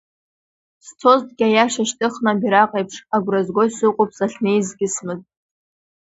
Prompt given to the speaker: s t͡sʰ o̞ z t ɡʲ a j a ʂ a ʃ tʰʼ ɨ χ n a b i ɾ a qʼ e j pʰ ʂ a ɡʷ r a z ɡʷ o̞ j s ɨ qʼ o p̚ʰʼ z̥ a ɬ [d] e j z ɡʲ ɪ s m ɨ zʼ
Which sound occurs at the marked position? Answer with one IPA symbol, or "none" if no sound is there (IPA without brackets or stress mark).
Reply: n